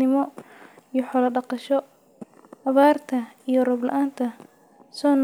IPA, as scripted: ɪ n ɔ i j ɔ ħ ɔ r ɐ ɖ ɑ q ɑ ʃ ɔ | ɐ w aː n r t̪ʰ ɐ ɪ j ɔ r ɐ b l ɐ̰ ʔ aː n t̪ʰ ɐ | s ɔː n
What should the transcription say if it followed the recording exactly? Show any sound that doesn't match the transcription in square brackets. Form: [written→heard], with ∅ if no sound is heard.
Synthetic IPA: ɪ [n→m] ɔ i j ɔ ħ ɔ [r→l] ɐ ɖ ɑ q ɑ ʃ ɔ | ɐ [w→β] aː [n→∅] r t̪ʰ ɐ [ɪ→i] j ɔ r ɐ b l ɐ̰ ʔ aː n t̪ʰ ɐ | s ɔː n